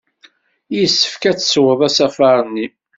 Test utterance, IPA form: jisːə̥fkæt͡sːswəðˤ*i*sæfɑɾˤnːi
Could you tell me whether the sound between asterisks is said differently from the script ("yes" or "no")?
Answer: yes